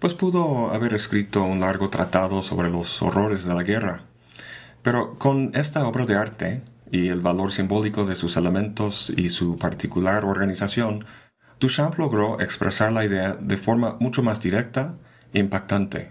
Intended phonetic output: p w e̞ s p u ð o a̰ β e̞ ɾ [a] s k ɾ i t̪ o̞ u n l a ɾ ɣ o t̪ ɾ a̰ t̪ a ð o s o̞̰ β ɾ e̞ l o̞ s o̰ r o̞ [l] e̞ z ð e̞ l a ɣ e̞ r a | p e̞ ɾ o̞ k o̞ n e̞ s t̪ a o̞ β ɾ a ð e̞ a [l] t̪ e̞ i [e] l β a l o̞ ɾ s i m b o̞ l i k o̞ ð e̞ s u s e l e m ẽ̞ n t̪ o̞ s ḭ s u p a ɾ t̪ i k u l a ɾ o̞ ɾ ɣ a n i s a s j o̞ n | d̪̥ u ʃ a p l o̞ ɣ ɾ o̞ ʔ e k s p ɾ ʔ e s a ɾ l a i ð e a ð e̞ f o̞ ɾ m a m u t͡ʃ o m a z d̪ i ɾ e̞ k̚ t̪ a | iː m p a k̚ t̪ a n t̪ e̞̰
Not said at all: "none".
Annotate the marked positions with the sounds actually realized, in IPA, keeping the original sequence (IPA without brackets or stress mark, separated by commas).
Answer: e, ɾ, ɾ, e